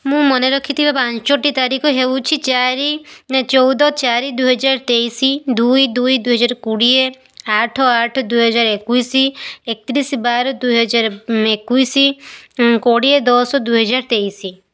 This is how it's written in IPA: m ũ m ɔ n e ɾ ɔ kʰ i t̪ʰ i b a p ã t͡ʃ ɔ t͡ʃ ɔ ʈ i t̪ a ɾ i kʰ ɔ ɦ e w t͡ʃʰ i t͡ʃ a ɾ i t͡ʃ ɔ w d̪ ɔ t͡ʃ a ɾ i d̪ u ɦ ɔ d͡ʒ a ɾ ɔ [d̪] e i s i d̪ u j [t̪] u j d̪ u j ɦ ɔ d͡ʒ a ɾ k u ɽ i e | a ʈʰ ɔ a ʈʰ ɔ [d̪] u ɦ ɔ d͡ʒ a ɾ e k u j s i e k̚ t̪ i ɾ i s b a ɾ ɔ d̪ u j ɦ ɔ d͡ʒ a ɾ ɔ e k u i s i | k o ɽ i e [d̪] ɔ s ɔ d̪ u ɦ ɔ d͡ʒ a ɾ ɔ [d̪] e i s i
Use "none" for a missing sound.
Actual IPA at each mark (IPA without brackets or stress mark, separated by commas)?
t̪, d̪, d̪, d̪, t̪